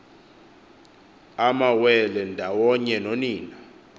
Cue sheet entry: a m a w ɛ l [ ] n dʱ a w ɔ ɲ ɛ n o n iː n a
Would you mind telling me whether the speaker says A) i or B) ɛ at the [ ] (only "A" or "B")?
B